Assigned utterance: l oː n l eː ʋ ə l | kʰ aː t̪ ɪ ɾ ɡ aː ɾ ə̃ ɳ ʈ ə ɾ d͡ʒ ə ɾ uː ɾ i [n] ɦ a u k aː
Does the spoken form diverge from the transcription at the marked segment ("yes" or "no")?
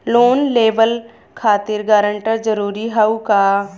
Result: yes